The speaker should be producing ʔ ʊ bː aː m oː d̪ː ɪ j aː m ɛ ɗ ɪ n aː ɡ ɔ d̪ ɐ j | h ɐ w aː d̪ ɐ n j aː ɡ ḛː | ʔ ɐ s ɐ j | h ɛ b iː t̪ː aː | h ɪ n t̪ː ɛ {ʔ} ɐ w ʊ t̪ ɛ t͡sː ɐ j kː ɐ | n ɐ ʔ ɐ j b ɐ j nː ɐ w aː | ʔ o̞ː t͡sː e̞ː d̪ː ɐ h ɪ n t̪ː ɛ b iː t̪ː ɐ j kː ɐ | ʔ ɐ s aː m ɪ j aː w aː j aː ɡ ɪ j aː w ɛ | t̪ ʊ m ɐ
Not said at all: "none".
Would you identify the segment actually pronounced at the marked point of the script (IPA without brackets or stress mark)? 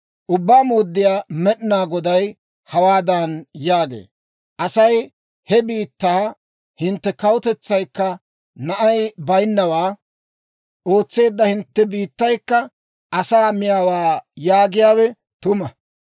k